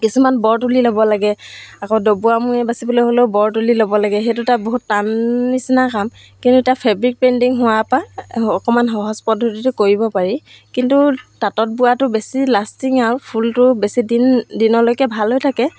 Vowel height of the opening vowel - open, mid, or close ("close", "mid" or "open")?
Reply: close